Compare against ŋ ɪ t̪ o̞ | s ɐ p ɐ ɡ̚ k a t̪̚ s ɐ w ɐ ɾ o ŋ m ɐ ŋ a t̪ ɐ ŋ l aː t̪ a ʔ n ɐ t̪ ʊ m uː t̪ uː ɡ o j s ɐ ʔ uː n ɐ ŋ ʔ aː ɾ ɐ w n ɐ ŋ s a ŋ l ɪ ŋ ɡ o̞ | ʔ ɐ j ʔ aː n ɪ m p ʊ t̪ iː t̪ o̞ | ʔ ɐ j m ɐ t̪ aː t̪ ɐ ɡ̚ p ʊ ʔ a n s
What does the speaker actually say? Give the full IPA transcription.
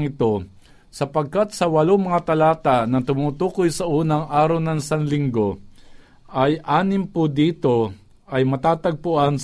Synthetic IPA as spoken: ŋ ɪ t̪ o̞ | s ɐ p ɐ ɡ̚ k a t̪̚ s ɐ w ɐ l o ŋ m ɐ ŋ a t̪ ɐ l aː t̪ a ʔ n ɐ t̪ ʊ m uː t̪ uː k o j s ɐ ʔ uː n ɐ ŋ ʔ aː ɾ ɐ w n ɐ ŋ s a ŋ l ɪ ŋ ɡ o̞ | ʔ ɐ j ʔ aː n ɪ m p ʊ d̪ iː t̪ o̞ | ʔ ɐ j m ɐ t̪ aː t̪ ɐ ɡ̚ p ʊ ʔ a n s